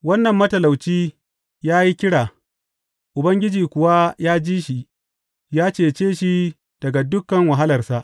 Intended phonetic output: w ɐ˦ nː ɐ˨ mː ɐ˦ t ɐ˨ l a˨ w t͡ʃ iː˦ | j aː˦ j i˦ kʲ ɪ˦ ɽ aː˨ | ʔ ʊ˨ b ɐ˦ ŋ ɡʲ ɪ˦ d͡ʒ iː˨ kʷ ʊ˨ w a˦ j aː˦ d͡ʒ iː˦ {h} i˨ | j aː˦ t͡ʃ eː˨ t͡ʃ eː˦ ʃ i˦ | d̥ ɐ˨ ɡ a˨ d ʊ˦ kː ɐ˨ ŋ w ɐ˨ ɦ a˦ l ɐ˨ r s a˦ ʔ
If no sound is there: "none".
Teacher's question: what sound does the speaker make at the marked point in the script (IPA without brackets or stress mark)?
ʃ